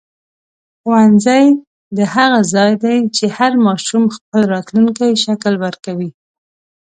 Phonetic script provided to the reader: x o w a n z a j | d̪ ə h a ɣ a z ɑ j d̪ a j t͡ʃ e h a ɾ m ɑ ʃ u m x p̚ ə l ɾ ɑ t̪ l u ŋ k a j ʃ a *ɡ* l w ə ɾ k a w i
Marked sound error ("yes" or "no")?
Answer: yes